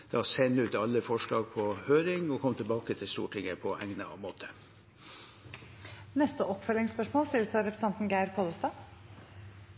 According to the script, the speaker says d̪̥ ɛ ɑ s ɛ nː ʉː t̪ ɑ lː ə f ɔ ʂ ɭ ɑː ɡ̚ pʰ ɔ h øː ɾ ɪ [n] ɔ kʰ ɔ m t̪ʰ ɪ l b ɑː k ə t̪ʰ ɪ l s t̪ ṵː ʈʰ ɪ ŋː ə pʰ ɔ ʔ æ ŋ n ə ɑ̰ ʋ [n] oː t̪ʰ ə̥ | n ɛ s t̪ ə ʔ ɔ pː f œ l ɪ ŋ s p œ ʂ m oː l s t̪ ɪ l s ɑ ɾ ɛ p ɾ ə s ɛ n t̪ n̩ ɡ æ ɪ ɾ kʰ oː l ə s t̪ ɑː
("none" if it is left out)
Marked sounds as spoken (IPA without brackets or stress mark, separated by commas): ŋ, m